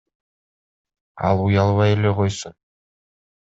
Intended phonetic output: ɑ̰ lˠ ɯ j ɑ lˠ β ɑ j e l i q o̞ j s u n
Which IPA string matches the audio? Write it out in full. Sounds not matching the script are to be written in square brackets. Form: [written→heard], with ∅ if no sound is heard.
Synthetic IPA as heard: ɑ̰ lˠ [ɯ→u] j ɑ lˠ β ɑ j e l [i→e] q o̞ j s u n